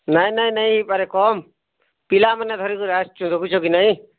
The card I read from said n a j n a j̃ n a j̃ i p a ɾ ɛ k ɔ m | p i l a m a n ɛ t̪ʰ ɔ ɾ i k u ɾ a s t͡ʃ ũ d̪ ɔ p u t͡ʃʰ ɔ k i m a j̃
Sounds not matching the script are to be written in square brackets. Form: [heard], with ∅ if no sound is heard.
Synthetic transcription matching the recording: n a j n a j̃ n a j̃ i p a ɾ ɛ k ɔ m | p i l a m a n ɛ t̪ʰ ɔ ɾ i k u ɾ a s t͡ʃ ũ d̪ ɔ [k] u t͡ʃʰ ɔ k i [n] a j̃